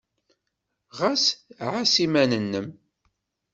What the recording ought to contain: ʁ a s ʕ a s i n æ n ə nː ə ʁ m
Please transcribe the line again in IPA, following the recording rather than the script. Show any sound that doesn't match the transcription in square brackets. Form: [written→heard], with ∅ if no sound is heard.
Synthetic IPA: ʁ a s ʕ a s i [n→m] æ n ə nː ə [ʁ→∅] m

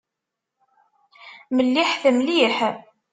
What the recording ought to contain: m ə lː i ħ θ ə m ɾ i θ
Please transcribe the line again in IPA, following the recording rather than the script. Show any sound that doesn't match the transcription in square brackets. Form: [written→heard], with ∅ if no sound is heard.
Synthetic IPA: m ə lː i ħ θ ə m [ɾ→l] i [θ→ħ]

